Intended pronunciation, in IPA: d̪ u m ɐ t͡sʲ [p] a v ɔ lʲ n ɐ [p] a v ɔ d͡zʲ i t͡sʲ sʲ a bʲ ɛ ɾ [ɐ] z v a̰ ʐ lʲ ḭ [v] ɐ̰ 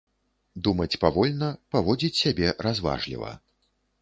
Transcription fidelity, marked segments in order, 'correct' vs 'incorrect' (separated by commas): correct, correct, incorrect, correct